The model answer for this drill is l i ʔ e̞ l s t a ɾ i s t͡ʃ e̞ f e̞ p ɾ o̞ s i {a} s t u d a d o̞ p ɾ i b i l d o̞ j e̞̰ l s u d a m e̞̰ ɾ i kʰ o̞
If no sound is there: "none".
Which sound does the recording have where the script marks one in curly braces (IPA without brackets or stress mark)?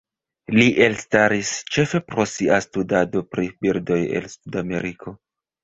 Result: a